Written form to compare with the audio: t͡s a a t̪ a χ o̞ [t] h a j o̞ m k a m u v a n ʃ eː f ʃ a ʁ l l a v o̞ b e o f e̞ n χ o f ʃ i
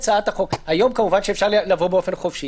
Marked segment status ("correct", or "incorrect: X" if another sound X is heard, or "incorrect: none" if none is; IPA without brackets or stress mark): incorrect: k